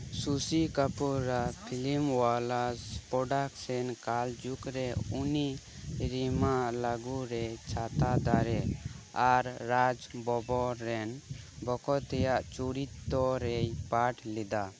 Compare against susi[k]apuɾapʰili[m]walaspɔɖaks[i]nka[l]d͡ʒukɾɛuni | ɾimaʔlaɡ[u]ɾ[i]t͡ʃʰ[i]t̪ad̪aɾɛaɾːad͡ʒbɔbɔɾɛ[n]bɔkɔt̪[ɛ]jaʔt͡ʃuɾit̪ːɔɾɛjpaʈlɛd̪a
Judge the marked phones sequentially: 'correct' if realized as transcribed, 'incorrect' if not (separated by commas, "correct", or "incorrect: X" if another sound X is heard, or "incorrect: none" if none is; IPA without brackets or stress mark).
correct, correct, incorrect: ɛ, correct, correct, incorrect: ɛ, incorrect: a, correct, correct